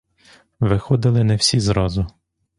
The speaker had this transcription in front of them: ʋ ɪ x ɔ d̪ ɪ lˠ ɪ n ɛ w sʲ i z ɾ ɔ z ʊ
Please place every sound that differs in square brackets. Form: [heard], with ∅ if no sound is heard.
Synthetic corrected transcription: ʋ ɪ x ɔ d̪ ɪ lˠ ɪ n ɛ w sʲ i z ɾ ɔ z ʊ